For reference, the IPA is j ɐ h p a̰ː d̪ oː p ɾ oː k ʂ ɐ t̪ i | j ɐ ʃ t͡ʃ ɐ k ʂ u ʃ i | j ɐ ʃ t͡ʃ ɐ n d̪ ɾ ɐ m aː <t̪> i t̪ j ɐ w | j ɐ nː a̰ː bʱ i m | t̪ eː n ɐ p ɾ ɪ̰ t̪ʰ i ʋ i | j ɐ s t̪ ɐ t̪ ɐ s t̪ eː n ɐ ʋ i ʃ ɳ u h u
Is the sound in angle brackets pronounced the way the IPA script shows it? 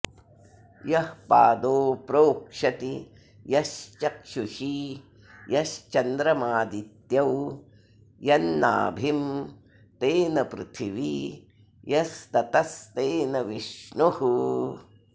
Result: no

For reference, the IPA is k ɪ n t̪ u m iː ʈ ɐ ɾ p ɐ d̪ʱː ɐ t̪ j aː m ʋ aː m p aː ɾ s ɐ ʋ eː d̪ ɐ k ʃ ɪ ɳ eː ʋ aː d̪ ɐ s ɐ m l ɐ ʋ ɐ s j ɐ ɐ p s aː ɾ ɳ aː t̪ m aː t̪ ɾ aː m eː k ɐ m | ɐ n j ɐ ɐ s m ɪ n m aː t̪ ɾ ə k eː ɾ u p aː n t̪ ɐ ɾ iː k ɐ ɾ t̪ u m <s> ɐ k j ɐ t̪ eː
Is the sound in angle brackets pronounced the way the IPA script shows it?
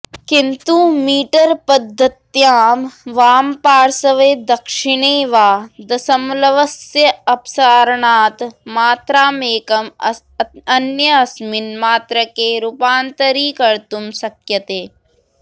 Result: yes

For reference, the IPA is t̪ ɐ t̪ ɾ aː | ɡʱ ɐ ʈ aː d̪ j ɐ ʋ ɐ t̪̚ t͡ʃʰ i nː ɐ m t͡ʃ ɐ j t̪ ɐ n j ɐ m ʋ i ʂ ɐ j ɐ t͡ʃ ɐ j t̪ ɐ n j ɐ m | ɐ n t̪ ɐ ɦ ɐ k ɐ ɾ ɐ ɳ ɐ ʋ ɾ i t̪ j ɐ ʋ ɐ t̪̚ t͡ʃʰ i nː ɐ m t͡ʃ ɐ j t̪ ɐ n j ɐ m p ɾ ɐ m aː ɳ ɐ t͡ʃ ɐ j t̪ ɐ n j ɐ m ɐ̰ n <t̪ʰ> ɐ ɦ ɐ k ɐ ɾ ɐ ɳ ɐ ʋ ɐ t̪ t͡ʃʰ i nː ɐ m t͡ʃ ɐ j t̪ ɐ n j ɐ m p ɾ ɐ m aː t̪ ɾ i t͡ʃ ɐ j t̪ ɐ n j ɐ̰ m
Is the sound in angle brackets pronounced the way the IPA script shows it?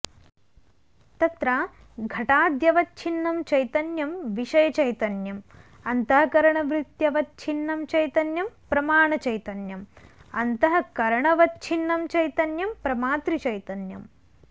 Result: no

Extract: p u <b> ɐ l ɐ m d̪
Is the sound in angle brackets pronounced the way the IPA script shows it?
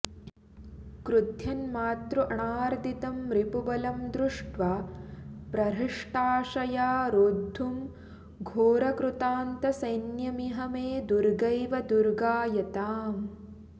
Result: yes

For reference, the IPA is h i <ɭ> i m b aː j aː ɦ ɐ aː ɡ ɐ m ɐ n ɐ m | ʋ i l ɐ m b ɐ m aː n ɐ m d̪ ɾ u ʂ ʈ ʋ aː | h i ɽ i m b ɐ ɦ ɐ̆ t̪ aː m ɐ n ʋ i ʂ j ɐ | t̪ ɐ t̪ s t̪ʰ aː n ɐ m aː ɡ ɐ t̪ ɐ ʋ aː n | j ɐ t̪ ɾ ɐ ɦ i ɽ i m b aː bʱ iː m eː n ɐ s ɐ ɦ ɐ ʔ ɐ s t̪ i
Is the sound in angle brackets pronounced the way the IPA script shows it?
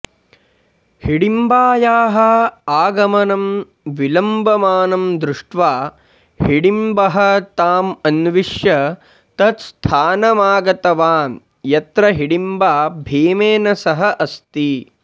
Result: no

